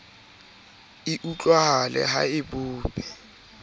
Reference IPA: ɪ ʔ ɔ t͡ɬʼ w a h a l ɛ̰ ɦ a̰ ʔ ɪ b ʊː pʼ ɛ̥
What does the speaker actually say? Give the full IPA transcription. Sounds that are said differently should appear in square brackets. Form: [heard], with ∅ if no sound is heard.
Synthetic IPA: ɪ ʔ [u] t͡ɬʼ w a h a l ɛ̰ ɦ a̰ [∅] ɪ b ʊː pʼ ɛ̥